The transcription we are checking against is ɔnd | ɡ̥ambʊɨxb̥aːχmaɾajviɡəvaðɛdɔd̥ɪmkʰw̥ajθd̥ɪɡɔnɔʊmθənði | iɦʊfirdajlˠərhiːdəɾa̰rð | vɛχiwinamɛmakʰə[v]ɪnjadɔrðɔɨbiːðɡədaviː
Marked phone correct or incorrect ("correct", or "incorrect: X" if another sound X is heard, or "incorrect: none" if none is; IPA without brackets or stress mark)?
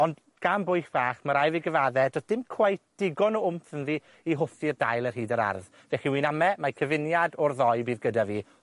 correct